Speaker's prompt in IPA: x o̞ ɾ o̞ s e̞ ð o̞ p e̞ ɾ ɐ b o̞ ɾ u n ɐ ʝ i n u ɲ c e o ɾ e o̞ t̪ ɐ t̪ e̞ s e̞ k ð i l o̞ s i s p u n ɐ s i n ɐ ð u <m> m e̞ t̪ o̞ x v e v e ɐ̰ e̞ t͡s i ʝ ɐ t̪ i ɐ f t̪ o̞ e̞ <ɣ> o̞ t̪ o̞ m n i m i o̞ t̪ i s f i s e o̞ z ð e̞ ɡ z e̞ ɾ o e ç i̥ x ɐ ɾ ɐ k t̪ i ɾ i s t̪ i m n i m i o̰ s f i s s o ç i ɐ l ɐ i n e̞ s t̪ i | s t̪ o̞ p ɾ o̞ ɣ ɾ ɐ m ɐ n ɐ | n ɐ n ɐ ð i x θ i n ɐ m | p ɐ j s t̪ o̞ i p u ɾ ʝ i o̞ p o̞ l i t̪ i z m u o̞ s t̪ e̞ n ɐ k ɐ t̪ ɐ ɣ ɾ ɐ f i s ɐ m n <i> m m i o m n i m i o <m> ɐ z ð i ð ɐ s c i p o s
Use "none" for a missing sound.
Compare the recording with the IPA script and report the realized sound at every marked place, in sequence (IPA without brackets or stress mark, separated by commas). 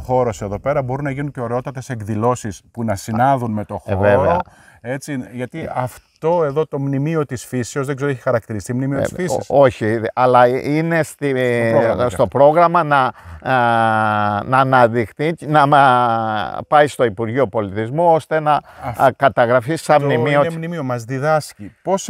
n, ð, i, m